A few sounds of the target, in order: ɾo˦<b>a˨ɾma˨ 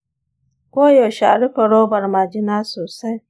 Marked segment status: correct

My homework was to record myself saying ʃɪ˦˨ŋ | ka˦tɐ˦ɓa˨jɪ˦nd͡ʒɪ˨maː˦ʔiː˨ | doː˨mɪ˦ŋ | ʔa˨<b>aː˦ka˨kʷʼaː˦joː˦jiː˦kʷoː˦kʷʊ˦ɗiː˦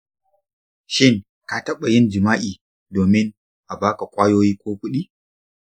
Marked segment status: correct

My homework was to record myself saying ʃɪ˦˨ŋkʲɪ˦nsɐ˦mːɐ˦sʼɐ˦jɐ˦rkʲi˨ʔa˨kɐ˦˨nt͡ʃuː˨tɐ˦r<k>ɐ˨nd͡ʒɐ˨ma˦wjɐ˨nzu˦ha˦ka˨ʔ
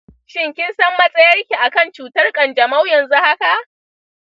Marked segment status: incorrect: kʼ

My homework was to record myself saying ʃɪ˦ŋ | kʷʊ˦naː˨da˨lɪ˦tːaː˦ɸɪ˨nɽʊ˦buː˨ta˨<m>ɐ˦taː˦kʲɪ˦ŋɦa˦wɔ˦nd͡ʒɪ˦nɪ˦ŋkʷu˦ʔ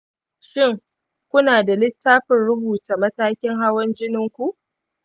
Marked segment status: correct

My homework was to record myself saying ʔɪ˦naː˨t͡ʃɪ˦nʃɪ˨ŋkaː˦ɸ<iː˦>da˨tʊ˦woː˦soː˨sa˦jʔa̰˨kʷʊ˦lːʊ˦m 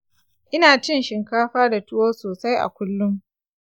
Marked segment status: incorrect: aː˦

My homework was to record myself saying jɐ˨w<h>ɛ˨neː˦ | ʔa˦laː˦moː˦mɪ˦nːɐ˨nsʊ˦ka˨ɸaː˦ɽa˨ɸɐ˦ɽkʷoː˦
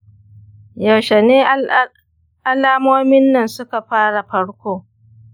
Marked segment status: incorrect: ʃ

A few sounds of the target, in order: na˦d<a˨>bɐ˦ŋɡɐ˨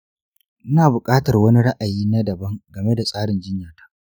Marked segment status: incorrect: ɐ˨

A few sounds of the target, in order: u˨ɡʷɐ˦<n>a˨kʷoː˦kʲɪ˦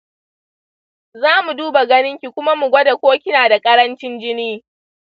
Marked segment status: incorrect: d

